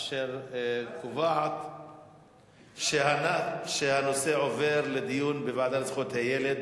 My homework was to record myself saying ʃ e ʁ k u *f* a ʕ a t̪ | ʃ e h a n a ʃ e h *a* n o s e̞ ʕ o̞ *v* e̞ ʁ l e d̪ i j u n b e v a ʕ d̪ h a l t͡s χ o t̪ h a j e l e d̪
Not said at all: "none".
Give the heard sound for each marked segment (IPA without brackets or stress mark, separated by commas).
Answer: v, a, v